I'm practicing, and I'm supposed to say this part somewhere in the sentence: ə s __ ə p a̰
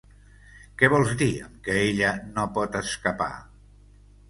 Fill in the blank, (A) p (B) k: B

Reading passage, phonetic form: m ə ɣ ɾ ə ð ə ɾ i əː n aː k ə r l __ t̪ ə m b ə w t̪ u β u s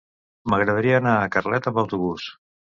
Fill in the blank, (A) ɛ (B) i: A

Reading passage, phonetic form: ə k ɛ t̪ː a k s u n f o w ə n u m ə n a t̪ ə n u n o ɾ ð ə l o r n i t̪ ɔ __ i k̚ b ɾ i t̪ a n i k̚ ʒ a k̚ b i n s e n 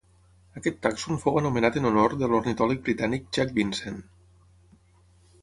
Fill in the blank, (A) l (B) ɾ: A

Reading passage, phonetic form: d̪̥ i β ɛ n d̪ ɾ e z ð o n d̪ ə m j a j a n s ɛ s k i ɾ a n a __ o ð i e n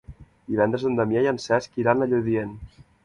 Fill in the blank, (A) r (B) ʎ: B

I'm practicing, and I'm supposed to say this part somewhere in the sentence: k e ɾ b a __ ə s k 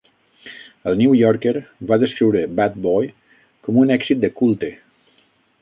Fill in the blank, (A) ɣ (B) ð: B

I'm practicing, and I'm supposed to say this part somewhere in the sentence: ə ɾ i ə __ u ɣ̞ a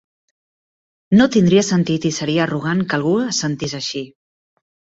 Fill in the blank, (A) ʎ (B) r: B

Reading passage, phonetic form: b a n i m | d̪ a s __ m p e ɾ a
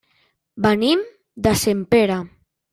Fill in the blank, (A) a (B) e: B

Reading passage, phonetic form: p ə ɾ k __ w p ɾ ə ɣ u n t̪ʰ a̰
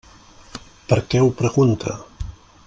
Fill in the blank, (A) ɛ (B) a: A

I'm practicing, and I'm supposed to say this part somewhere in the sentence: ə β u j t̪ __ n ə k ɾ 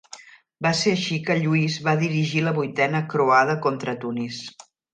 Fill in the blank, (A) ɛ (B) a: A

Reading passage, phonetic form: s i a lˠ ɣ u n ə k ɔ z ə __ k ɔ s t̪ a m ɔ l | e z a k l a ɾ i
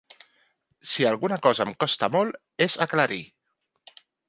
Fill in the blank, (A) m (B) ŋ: A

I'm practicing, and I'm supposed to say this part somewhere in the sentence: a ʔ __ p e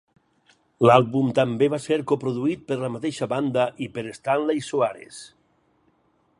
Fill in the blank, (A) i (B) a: A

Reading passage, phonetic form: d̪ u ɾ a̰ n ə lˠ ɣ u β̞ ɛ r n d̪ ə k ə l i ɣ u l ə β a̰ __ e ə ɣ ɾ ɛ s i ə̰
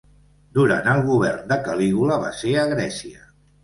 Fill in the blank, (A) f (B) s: B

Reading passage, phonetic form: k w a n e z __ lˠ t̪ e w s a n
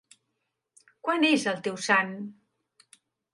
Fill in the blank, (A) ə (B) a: A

